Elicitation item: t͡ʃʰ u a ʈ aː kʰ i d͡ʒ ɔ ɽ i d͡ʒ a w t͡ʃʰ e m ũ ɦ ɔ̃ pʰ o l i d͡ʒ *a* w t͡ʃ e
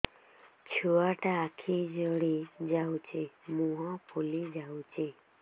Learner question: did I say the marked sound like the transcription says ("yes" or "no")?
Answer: yes